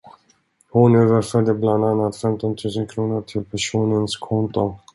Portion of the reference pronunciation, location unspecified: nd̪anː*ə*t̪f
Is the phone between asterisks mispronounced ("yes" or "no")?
yes